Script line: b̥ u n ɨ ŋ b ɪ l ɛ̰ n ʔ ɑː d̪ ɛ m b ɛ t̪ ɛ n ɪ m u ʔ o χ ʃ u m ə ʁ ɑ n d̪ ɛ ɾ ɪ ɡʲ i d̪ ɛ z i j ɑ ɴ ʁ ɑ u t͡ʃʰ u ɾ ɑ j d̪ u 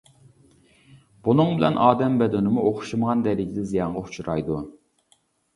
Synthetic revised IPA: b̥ u n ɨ ŋ b ɪ l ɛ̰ n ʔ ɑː d̪ ɛ m b ɛ d̪ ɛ n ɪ m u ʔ o χ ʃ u m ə ʁ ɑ n d̪ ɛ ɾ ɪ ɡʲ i d̪ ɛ z i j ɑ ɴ ʁ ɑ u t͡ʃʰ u ɾ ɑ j d̪ u